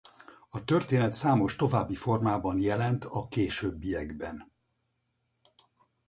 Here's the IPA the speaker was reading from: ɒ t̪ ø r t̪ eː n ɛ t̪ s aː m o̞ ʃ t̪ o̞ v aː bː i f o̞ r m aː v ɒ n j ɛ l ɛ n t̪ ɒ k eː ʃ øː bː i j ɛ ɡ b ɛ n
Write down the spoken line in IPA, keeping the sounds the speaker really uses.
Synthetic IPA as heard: ɒ t̪ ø r t̪ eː n ɛ t̪ s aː m o̞ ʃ t̪ o̞ v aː bː i f o̞ r m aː b ɒ n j ɛ l ɛ n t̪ ɒ k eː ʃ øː bː i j ɛ ɡ b ɛ n